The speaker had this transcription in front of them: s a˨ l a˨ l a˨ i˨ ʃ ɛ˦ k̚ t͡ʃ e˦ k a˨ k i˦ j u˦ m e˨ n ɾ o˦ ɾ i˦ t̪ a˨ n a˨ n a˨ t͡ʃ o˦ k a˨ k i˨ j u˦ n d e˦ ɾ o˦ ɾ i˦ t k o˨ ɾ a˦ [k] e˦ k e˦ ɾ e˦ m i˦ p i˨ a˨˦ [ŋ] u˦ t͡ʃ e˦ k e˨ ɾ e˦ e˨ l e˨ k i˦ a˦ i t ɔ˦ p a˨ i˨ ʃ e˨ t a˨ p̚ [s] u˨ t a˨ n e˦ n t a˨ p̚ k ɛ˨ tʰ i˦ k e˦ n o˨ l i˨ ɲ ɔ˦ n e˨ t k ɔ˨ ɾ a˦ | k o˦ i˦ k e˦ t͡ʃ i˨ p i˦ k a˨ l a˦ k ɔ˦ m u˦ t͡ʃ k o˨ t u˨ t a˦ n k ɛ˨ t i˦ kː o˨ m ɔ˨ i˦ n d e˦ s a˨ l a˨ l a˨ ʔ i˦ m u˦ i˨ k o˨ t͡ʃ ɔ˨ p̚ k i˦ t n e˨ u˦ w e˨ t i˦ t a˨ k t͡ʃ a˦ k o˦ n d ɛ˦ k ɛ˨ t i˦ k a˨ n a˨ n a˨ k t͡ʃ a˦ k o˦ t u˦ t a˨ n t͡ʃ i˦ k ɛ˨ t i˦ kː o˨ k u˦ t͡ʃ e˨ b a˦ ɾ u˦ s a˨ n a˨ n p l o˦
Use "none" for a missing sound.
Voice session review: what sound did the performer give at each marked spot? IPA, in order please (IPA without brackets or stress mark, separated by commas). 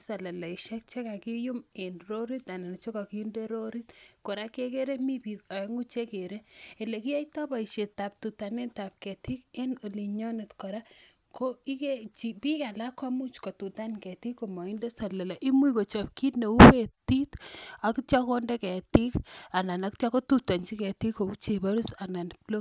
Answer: k, ŋ, t